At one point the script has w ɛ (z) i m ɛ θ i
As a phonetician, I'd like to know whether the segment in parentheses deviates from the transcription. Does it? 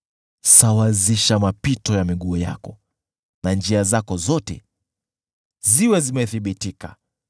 no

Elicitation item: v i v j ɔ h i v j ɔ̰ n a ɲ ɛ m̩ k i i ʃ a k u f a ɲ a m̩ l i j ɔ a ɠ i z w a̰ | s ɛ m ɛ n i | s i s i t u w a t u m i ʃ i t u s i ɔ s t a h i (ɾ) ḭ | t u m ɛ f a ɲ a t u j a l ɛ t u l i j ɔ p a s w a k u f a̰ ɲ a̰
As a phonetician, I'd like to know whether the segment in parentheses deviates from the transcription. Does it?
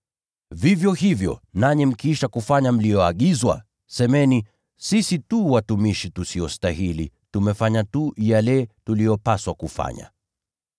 yes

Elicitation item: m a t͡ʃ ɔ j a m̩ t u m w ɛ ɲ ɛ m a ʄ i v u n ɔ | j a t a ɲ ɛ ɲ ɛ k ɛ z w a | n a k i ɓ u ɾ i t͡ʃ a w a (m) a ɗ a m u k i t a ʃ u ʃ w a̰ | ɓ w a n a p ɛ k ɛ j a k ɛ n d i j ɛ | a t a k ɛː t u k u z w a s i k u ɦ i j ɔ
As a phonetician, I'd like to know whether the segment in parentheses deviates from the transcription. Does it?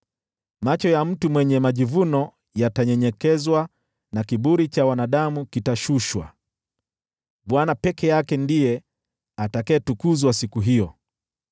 yes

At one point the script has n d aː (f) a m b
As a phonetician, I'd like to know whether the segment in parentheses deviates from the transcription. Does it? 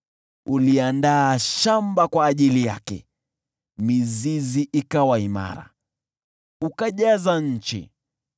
yes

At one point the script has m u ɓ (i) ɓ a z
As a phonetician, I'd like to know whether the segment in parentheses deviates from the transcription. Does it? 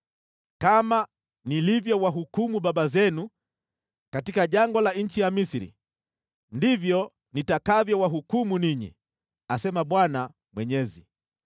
yes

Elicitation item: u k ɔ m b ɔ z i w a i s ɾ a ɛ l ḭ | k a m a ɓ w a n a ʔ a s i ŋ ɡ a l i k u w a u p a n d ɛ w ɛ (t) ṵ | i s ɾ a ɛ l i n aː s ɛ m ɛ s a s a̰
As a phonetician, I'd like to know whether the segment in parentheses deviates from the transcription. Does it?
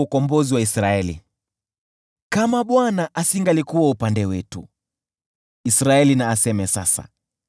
no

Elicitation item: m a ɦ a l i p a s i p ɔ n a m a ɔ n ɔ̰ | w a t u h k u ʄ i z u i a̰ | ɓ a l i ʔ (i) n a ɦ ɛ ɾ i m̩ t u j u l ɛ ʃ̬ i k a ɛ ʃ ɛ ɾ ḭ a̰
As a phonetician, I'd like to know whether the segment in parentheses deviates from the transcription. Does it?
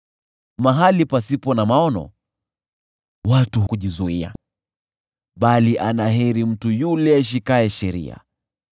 yes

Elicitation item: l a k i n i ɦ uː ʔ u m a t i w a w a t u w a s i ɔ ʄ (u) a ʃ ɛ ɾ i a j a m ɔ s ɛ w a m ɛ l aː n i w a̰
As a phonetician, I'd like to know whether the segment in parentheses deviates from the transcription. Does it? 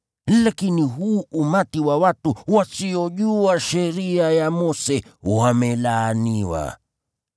no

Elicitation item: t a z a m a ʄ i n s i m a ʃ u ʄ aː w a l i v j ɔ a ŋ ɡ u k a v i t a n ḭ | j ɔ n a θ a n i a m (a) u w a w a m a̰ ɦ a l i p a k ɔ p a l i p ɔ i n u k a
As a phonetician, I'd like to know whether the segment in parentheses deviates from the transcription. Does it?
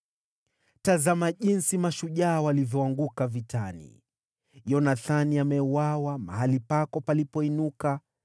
yes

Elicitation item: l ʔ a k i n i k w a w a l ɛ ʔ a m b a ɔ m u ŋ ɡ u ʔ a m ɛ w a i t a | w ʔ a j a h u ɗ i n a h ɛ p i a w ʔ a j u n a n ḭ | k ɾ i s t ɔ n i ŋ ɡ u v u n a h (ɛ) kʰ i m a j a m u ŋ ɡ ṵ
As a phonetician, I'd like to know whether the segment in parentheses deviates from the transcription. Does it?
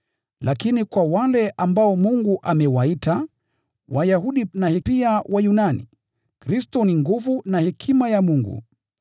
no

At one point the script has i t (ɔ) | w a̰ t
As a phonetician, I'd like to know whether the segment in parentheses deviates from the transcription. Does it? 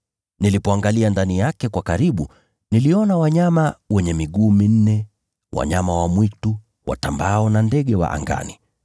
yes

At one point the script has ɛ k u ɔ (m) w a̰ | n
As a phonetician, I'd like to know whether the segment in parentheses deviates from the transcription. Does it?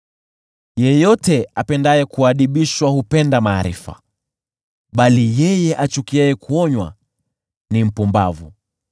yes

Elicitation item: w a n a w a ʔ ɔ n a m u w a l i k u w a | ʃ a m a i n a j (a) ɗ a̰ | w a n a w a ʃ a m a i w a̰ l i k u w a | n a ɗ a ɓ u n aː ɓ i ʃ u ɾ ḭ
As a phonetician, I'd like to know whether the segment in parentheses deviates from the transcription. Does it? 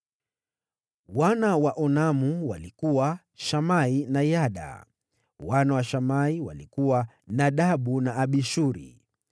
no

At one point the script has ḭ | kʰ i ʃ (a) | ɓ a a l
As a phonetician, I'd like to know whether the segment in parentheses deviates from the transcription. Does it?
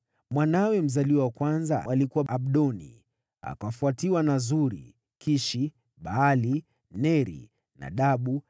yes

